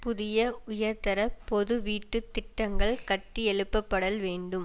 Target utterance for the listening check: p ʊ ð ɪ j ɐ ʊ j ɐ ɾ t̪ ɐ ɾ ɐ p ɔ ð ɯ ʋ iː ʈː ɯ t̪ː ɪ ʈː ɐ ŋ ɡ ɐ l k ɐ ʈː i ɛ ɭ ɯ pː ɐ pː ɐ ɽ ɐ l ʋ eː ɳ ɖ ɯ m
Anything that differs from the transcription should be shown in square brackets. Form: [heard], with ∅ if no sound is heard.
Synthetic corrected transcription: p ʊ ð ɪ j ɐ ʊ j ɐ ɾ t̪ ɐ ɾ ɐ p ɔ ð ɯ ʋ iː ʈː ɯ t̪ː ɪ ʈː ɐ ŋ ɡ ɐ [ɭ] k ɐ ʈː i ɛ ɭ ɯ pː ɐ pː ɐ ɽ ɐ l ʋ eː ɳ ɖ ɯ m